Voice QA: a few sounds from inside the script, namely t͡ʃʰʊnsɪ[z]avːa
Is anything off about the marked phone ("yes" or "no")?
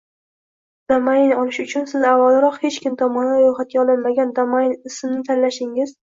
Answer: no